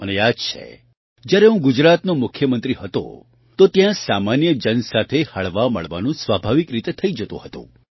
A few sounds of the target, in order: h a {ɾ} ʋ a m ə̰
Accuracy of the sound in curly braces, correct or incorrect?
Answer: incorrect